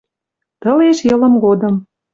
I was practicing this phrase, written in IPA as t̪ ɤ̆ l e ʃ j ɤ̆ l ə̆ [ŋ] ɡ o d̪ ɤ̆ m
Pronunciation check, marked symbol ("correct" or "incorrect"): incorrect